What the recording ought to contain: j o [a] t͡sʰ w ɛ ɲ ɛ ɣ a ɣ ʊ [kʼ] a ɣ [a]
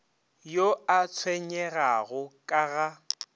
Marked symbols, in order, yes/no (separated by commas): yes, yes, yes